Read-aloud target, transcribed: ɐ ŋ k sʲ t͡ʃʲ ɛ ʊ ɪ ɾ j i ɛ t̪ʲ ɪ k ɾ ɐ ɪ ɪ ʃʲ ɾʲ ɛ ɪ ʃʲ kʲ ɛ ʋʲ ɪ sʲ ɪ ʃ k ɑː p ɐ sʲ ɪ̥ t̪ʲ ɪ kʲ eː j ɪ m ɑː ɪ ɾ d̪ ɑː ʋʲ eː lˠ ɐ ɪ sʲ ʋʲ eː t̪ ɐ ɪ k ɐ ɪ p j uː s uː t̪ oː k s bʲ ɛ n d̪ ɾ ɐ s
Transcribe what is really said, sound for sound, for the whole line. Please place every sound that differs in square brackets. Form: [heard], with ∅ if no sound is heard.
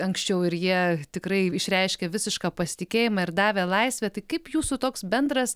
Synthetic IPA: ɐ ŋ k sʲ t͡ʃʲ ɛ ʊ ɪ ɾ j i ɛ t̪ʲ ɪ k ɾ ɐ ɪ ɪ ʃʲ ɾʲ ɛ ɪ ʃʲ kʲ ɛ ʋʲ ɪ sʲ ɪ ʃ k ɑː p ɐ sʲ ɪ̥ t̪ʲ ɪ kʲ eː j ɪ m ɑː ɪ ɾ d̪ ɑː ʋʲ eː lˠ ɐ ɪ sʲ ʋʲ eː t̪ ɐ ɪ k ɐ ɪ p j uː s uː t̪ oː k s bʲ ɛ n d̪ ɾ ɐ s